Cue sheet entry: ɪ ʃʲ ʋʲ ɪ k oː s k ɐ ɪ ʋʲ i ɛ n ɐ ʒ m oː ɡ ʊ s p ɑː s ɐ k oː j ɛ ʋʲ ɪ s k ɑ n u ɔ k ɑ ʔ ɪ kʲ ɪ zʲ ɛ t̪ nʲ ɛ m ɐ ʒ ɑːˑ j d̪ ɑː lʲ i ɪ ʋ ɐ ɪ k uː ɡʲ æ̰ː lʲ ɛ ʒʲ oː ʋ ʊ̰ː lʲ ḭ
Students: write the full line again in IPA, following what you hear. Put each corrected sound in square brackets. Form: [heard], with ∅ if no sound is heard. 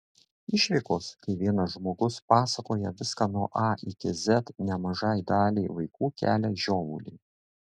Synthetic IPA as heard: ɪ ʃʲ ʋʲ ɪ k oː s k ɐ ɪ ʋʲ i ɛ n ɐ ʒ m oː ɡ ʊ s p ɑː s ɐ k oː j ɛ ʋʲ ɪ s k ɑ n u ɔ [ʔ] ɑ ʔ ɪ kʲ ɪ zʲ ɛ t̪ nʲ ɛ m ɐ ʒ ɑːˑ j d̪ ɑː lʲ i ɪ ʋ ɐ ɪ k uː [kʲ] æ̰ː lʲ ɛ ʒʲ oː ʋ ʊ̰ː lʲ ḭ